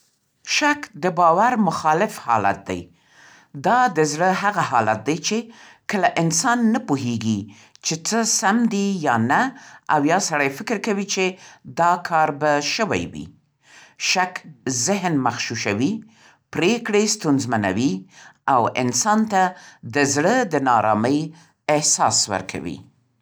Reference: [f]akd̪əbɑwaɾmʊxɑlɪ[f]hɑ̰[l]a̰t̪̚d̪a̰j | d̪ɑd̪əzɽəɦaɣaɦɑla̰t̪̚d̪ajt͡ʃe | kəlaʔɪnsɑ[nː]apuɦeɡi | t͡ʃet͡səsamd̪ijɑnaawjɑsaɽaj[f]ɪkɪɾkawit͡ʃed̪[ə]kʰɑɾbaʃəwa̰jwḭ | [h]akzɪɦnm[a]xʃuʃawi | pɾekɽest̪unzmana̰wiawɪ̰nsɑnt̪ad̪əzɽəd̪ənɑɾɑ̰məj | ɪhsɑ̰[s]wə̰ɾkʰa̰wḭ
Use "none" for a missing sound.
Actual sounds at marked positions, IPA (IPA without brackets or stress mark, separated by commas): ʃ, f, l, nː, f, ɑ, ʃ, a, s